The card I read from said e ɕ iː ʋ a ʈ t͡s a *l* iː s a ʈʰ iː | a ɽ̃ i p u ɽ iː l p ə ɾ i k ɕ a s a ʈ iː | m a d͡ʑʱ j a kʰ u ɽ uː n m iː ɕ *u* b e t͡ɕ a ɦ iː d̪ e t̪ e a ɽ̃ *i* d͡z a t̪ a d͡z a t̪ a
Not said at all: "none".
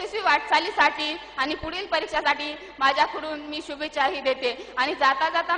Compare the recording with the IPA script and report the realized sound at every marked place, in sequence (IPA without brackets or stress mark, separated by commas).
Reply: l, u, i